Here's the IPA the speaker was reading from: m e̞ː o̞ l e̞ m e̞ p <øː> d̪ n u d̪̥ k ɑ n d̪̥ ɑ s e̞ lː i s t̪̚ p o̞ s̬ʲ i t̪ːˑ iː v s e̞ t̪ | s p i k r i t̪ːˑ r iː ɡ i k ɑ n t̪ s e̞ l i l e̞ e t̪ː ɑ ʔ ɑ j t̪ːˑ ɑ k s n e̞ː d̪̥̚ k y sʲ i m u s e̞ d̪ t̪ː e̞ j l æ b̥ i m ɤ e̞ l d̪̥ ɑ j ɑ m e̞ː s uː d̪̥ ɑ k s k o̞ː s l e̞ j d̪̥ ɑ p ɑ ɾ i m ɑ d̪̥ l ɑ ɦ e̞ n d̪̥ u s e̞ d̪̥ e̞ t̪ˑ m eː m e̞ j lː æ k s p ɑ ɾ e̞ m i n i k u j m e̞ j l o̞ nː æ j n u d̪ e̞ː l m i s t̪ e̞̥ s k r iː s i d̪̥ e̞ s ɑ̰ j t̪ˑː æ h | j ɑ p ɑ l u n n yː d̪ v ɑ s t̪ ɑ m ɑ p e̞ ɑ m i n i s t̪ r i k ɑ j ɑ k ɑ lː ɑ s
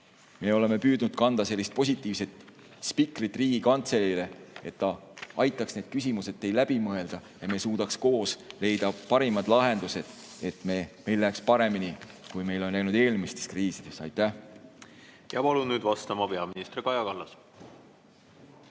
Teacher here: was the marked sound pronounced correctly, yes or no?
no